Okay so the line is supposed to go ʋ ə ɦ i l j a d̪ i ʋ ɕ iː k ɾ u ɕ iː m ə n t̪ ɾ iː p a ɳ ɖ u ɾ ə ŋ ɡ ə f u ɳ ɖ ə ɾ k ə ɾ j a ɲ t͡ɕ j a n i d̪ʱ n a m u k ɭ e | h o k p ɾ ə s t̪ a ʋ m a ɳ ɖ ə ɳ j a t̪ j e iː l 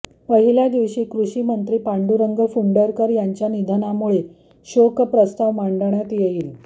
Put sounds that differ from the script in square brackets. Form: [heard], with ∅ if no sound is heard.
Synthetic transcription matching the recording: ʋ ə ɦ i l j a d̪ i ʋ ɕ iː k ɾ u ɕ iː m ə n t̪ ɾ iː p a ɳ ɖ u ɾ ə ŋ ɡ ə f u ɳ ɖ ə ɾ k ə ɾ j a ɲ t͡ɕ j a n i d̪ʱ n a m u [∅] ɭ e | [ɕ] o k p ɾ ə s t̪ a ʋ m a ɳ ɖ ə ɳ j a t̪ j e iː l